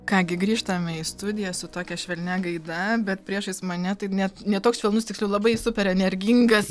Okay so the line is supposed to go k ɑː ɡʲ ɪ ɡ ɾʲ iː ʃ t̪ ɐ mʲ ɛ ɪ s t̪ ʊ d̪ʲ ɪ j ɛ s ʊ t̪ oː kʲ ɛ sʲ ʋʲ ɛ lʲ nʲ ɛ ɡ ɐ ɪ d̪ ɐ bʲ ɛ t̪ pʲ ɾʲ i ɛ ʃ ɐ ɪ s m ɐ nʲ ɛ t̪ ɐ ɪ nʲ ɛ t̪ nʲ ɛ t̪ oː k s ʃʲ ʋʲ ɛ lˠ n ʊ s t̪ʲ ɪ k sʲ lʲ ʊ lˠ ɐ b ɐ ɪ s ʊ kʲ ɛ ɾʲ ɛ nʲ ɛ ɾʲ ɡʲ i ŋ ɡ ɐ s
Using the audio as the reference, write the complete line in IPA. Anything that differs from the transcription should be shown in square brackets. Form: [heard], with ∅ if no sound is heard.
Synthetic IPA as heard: k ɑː ɡʲ ɪ ɡ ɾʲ iː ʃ t̪ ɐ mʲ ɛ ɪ s t̪ ʊ d̪ʲ ɪ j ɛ s ʊ t̪ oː kʲ ɛ [ʃʲ] ʋʲ ɛ lʲ nʲ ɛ ɡ ɐ ɪ d̪ ɐ bʲ ɛ t̪ pʲ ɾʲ i ɛ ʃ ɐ ɪ s m ɐ nʲ ɛ t̪ ɐ ɪ nʲ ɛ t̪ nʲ ɛ t̪ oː k s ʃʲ ʋʲ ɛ lˠ n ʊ s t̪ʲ ɪ k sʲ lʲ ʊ lˠ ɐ b ɐ ɪ s ʊ [pʲ] ɛ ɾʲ ɛ nʲ ɛ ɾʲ ɡʲ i ŋ ɡ ɐ s